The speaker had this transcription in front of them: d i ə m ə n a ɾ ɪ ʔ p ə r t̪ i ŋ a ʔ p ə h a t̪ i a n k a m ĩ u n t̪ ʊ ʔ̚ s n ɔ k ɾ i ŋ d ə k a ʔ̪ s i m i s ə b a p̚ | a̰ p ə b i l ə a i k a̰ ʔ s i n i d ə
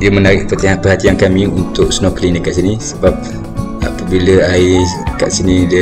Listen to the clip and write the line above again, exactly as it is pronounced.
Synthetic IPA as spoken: d i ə m ə n a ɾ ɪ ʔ p ə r t̪ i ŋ a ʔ p ə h a t̪ i a n k a m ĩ u n t̪ ʊ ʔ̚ s n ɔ k l i n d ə k a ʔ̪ s i n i s ə b a p̚ | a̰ p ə b i l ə a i k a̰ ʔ s i n i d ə